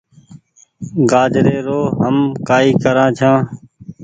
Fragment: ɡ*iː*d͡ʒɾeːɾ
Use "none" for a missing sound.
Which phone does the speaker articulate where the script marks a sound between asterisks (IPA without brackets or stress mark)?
aː